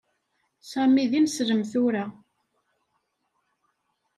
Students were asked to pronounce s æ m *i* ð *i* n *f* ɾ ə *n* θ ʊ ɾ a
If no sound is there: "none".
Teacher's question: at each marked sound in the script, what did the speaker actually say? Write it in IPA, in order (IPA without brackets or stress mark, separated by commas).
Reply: i, i, s, m